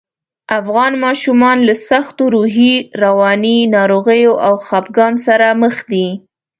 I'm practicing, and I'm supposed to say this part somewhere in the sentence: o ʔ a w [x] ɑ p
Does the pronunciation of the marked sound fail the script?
no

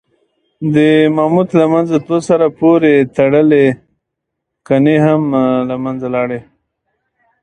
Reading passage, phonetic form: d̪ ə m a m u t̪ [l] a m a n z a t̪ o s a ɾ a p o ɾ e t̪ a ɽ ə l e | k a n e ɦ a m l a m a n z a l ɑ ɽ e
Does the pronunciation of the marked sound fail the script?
no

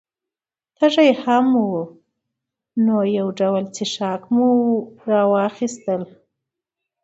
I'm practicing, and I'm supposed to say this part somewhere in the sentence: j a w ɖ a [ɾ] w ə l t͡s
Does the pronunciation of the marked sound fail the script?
yes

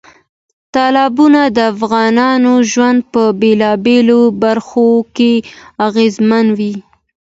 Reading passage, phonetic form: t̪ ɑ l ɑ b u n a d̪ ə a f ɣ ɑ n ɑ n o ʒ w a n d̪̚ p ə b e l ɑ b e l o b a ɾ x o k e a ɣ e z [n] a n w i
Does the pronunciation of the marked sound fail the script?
yes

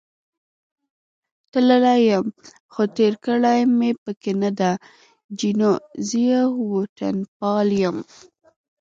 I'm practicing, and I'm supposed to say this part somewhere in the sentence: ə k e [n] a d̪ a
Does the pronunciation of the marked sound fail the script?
no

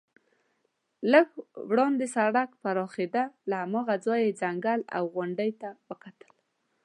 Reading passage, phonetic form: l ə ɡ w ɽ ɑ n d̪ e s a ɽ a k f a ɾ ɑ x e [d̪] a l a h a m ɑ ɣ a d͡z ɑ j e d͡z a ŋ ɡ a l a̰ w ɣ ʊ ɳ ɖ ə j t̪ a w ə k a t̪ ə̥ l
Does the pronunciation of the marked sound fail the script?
no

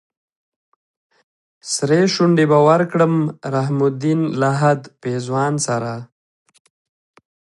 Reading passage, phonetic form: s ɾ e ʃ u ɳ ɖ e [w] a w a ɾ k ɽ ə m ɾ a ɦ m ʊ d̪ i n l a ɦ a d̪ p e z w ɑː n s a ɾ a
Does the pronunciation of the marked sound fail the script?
yes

